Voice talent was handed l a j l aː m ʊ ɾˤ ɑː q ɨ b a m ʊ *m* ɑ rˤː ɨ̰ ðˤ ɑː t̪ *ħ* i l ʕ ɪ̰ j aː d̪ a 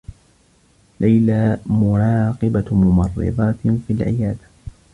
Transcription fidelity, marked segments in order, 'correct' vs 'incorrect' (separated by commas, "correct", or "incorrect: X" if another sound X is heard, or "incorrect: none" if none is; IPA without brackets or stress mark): correct, incorrect: f